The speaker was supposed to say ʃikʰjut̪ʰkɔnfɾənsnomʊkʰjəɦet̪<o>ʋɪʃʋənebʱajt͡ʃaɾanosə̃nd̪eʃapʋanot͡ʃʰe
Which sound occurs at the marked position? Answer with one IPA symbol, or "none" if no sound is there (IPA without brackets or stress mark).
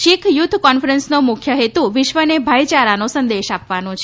u